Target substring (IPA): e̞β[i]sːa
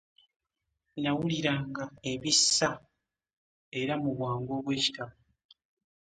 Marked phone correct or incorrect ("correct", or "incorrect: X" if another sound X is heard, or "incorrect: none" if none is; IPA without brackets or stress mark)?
correct